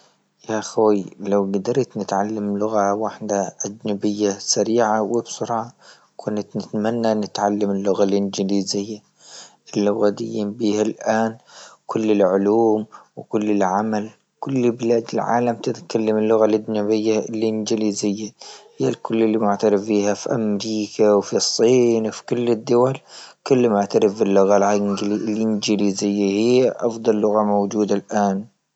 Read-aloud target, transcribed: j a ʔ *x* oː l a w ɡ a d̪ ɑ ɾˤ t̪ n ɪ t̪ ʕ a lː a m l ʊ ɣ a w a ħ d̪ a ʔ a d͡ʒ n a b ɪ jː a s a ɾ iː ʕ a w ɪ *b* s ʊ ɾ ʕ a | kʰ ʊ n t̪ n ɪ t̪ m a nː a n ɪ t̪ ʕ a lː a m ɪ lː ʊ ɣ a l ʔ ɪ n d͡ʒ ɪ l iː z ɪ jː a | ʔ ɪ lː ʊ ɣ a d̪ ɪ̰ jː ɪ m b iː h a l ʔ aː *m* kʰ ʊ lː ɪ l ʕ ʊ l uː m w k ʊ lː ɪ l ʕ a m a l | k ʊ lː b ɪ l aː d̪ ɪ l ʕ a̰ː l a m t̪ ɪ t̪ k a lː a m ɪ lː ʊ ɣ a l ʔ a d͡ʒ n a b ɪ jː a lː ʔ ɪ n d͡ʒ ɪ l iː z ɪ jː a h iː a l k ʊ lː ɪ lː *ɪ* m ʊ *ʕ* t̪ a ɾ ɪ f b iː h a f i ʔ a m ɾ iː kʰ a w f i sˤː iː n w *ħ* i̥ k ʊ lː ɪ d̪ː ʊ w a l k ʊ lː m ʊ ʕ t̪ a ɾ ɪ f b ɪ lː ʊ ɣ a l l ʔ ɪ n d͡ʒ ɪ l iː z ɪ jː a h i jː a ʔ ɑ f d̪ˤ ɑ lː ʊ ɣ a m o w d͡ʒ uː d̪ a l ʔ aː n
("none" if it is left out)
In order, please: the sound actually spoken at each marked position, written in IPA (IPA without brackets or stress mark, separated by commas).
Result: x, b, n, i, ʕ, f